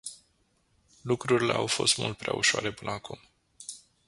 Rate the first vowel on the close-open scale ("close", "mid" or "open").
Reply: close